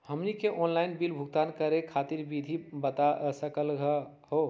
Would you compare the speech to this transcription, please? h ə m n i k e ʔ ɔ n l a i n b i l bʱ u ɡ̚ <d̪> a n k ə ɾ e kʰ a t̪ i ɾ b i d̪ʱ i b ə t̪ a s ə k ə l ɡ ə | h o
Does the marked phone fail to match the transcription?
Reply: yes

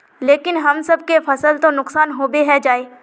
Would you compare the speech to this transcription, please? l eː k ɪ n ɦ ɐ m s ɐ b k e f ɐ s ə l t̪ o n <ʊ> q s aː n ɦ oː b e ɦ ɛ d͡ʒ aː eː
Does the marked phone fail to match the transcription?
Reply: no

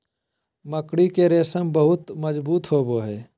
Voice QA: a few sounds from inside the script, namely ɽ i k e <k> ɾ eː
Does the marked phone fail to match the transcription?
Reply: yes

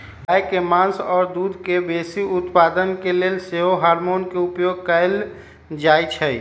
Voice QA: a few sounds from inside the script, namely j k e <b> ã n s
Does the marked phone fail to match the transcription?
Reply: yes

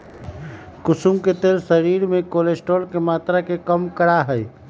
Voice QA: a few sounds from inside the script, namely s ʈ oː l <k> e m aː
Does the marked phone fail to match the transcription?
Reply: no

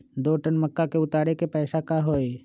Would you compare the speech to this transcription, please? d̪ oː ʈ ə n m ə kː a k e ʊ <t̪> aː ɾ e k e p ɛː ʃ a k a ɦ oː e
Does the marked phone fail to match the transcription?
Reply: no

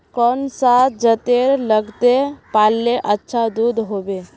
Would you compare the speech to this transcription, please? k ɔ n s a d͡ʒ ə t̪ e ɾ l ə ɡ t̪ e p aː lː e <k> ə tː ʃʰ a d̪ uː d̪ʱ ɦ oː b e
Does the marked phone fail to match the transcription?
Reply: yes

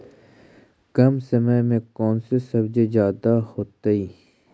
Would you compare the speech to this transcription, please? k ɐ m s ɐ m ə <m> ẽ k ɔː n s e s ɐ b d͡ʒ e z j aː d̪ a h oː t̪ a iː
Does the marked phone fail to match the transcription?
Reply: no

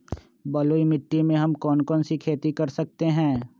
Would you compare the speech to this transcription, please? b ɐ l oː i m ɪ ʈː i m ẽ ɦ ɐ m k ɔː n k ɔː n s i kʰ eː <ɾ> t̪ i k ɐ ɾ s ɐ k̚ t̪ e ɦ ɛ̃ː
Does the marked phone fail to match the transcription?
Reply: yes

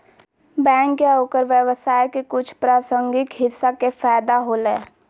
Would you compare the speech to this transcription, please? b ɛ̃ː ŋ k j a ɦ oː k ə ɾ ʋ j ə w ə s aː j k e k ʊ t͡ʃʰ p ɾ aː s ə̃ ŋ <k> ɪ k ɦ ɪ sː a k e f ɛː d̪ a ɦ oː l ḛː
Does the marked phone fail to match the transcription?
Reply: yes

